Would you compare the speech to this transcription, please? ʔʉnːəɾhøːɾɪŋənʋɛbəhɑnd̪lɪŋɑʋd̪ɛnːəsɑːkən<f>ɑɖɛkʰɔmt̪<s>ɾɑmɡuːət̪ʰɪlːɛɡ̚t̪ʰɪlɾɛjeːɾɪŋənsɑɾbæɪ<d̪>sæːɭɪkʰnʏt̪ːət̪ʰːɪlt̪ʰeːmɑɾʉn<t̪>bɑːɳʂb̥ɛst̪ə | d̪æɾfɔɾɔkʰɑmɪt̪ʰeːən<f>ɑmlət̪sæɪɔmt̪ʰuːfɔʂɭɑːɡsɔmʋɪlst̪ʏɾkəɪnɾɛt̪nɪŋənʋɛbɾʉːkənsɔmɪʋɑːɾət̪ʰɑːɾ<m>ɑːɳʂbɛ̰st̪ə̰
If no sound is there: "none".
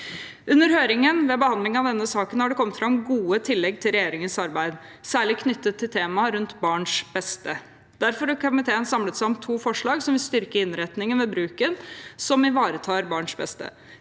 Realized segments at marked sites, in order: h, f, d̪, t̪, s, b

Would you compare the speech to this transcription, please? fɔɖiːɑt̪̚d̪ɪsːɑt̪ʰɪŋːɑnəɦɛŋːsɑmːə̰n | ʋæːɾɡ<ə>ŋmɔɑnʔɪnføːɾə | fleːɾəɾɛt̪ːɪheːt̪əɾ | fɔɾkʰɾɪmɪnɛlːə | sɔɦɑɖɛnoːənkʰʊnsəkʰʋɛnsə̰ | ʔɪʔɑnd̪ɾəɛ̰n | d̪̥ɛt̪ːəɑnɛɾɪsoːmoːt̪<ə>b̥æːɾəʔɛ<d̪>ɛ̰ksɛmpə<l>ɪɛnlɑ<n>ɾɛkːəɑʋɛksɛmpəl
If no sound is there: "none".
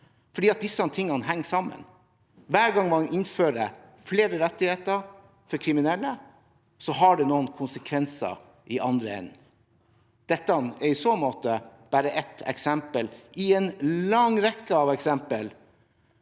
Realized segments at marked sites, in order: ɑ, ə, t̪, l, ŋ

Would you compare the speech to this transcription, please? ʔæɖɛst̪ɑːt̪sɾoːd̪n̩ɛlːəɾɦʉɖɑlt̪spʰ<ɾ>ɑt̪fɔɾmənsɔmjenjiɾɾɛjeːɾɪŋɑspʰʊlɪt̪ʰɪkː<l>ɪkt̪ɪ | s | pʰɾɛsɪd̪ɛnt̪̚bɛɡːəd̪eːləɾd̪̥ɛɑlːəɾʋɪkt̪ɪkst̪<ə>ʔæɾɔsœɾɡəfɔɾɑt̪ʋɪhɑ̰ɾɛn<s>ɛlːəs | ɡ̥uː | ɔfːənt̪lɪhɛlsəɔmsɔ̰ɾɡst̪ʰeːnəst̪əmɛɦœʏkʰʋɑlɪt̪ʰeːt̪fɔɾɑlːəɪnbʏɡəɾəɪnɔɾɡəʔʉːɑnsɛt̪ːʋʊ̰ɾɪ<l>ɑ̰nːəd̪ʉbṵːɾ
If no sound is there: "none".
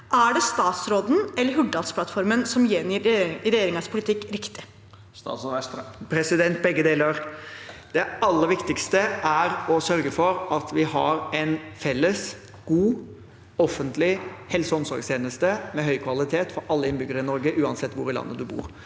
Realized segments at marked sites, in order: l, ɾ, ə, f, l

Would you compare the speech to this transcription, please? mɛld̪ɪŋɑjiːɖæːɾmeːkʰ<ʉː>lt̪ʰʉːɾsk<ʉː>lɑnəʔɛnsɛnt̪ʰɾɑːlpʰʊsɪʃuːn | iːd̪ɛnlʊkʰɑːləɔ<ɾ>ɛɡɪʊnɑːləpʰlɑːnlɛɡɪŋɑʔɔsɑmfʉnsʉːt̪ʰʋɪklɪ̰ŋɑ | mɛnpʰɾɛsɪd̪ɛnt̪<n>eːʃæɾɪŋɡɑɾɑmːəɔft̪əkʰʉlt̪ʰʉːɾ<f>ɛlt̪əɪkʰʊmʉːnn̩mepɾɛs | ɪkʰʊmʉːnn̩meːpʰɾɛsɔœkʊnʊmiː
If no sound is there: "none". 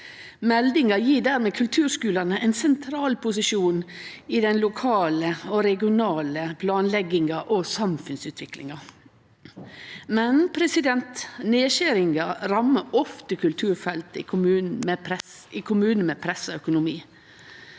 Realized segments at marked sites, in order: ʉ, ʉː, ɾ, n, f

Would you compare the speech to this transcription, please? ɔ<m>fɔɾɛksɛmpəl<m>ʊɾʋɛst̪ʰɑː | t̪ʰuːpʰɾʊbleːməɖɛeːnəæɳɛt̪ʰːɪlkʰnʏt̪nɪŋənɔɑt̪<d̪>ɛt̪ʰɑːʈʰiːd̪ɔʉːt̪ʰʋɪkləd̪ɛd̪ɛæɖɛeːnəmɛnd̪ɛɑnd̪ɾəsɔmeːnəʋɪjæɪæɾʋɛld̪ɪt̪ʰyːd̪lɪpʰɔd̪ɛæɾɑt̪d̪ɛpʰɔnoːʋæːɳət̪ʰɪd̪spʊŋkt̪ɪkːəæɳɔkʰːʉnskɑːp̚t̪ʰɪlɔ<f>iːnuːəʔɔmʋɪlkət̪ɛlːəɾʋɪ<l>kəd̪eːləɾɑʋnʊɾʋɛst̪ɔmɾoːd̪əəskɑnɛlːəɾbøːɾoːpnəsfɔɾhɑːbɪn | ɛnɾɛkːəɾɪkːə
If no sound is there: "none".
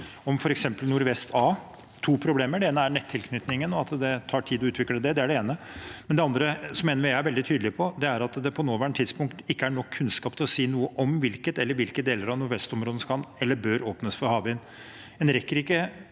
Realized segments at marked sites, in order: m, n, d̪, s, l

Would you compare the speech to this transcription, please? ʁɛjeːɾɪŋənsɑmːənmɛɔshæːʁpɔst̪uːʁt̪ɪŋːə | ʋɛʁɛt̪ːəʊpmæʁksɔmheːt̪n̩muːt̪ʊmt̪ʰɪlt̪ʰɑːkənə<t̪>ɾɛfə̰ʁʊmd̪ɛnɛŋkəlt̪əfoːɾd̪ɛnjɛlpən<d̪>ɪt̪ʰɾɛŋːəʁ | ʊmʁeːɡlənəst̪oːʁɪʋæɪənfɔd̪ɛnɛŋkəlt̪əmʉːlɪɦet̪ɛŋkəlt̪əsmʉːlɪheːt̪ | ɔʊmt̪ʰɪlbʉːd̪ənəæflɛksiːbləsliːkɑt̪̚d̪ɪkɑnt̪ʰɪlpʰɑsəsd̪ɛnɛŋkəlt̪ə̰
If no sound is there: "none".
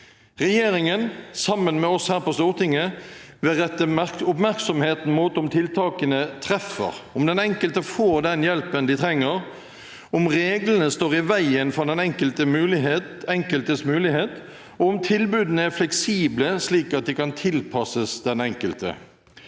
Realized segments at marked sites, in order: t̪ʰ, d̪

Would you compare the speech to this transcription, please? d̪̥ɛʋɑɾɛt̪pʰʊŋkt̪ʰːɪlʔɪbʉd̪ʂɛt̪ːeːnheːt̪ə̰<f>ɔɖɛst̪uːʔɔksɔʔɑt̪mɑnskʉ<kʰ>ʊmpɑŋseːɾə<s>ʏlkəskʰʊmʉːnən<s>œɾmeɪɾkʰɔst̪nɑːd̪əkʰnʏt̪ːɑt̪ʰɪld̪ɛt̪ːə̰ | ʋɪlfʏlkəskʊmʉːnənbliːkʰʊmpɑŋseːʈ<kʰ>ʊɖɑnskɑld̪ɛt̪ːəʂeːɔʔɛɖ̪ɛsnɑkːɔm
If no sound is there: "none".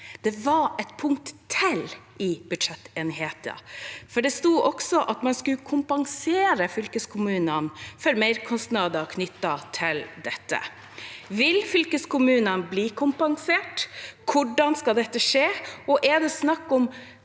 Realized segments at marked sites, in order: f, kʰ, f, f, kʰ

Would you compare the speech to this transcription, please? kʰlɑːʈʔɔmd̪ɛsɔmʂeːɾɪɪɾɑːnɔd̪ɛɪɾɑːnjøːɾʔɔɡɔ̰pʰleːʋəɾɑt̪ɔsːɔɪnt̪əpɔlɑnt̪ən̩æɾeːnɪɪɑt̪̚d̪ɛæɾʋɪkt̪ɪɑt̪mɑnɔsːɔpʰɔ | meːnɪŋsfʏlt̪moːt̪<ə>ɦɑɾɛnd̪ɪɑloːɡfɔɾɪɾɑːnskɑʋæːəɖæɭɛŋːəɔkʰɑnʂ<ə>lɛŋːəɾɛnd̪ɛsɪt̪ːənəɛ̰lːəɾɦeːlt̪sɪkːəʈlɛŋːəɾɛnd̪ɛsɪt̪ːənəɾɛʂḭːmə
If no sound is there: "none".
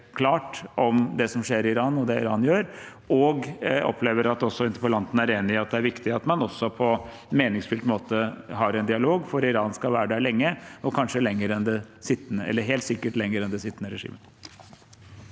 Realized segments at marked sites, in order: ə, ə

